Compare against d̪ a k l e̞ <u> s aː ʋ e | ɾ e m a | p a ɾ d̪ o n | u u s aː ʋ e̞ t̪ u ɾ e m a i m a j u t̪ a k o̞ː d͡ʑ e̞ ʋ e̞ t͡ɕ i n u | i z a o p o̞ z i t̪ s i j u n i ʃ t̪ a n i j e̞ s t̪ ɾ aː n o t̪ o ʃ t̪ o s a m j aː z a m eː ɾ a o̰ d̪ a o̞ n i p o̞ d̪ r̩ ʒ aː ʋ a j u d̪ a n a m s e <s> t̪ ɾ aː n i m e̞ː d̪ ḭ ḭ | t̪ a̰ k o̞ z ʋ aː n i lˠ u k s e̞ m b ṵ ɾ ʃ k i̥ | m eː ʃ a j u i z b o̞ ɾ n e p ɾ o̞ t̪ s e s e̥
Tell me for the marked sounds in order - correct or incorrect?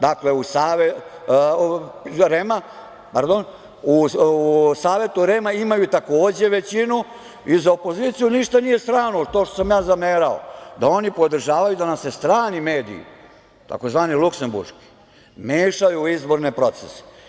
correct, correct

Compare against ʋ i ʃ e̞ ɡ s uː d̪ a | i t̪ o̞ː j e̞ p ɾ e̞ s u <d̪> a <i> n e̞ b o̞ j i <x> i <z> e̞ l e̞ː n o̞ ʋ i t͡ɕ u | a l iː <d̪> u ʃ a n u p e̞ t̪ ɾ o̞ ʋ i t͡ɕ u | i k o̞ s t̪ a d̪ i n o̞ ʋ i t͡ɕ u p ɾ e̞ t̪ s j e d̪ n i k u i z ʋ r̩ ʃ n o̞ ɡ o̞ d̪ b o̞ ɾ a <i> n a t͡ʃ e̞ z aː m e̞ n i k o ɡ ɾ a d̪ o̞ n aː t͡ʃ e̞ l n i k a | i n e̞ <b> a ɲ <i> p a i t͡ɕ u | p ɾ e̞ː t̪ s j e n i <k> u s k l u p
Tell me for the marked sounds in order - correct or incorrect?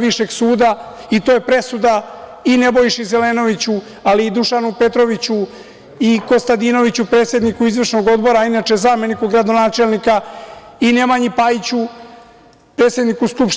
correct, correct, incorrect: ʃ, correct, correct, correct, incorrect: m, correct, correct

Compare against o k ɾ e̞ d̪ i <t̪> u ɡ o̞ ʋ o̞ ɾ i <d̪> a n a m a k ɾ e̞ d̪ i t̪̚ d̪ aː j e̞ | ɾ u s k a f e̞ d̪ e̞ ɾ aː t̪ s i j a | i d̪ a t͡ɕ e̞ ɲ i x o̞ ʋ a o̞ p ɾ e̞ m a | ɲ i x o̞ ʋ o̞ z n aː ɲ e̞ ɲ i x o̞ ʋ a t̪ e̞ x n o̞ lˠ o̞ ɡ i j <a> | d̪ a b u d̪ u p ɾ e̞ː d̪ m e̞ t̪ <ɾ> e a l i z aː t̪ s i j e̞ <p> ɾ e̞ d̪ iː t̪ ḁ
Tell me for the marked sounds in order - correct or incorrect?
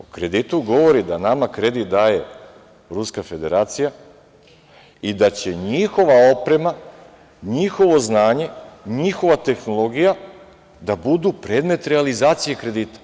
correct, correct, correct, correct, incorrect: k

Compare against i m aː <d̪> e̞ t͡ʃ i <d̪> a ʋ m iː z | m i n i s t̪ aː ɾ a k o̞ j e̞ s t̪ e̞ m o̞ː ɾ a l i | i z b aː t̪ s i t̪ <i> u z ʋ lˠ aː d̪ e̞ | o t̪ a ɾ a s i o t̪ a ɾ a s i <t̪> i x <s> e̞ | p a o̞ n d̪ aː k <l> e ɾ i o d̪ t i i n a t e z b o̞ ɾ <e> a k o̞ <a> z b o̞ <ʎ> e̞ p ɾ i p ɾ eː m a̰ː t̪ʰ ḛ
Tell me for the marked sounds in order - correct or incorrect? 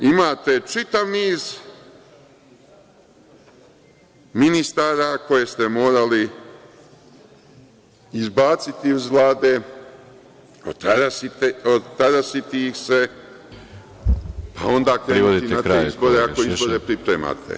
incorrect: t̪, incorrect: t̪, correct, correct, correct, incorrect: ɾ, correct, incorrect: i, incorrect: ɾ

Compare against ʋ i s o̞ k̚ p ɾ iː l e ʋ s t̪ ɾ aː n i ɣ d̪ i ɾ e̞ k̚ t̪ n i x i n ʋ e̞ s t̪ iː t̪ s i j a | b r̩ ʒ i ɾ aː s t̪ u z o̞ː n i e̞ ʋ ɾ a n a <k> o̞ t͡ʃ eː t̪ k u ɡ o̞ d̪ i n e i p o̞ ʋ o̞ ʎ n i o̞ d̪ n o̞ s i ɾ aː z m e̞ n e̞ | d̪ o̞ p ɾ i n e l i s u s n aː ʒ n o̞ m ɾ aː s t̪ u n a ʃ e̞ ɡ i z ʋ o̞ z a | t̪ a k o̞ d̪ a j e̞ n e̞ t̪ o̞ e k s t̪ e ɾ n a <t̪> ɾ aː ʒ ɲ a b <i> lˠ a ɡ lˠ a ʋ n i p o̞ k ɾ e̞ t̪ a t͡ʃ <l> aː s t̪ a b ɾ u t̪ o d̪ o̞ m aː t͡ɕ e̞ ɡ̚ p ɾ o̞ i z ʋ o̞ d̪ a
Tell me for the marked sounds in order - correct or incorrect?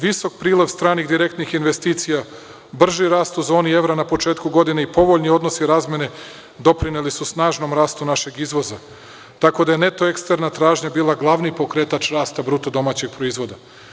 incorrect: p, correct, incorrect: iː, incorrect: ɾ

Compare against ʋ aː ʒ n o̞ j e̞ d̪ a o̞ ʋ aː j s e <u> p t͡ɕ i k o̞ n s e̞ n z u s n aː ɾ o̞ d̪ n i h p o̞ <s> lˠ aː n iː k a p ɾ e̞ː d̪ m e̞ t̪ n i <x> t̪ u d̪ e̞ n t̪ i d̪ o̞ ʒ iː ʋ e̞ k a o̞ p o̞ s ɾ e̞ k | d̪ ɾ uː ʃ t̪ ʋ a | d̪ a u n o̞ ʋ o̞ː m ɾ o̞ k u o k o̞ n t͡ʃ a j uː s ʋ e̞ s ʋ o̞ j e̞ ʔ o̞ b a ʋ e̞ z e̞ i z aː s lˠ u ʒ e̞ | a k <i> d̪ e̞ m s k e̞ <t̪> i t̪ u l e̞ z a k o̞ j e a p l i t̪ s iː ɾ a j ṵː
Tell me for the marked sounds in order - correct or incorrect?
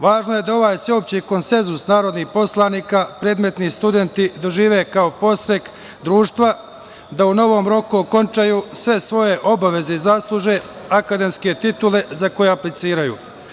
incorrect: o, correct, incorrect: s, incorrect: a, correct

